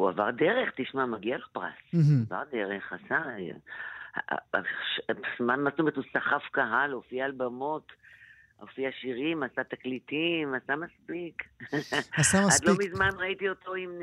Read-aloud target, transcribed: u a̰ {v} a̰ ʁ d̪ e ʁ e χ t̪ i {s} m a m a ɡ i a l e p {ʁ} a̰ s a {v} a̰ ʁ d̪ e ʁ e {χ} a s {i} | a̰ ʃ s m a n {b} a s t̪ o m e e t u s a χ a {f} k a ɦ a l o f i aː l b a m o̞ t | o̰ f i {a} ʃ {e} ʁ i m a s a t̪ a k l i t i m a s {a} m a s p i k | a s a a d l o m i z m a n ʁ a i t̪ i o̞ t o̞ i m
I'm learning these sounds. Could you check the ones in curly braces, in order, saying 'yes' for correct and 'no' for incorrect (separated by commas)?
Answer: yes, no, yes, yes, yes, no, no, yes, yes, no, yes